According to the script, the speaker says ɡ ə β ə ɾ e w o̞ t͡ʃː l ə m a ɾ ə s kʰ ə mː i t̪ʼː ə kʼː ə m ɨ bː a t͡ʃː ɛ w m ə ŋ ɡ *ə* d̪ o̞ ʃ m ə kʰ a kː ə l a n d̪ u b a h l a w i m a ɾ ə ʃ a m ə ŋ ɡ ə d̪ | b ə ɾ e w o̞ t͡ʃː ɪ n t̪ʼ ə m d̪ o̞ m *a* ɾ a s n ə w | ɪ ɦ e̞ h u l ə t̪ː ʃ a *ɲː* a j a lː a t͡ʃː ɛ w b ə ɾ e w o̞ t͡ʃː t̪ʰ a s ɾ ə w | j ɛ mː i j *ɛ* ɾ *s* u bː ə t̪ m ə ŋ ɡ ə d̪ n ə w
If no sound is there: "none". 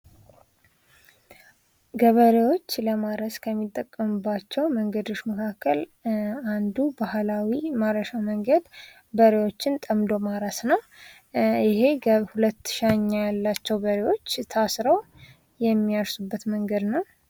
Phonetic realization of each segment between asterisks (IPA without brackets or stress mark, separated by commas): ə, a, ɲː, a, s